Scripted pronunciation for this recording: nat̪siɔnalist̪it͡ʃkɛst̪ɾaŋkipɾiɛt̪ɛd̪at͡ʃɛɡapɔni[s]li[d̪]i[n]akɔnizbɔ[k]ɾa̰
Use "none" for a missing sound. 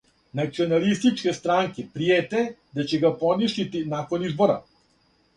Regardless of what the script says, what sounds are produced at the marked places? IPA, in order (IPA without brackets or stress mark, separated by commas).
ʃ, t̪, n, none